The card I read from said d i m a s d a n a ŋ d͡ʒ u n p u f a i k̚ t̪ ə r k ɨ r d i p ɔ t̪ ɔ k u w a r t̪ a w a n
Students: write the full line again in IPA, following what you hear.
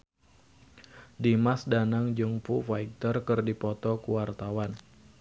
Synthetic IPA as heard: d i m a s d a n a ŋ d͡ʒ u ŋ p u f a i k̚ t̪ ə r k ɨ r d i p ɔ t̪ ɔ k u w a r t̪ a w a n